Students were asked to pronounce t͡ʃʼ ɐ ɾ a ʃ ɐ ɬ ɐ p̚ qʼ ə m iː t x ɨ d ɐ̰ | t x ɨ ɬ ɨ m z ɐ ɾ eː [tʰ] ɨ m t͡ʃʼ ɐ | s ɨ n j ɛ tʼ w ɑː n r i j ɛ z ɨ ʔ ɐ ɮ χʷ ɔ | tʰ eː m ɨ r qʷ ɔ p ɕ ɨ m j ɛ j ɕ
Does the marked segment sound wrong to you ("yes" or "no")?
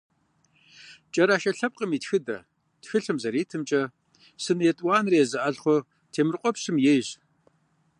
no